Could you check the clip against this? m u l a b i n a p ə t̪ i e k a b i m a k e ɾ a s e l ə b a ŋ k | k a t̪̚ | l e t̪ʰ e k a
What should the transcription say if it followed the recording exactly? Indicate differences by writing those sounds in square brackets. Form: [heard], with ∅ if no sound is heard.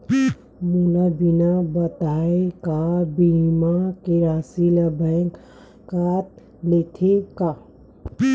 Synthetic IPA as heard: m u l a b i n a [b] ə t̪ [a] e k a b i m a k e ɾ a s [i] l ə b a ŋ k | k a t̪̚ | l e t̪ʰ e k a